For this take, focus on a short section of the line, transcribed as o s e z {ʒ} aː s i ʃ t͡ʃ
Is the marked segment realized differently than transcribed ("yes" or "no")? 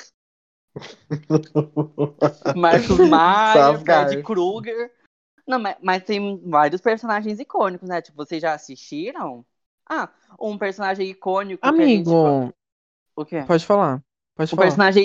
no